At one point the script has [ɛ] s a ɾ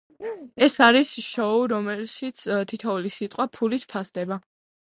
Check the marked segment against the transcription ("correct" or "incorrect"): correct